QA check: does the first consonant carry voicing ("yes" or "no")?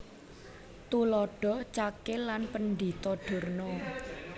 no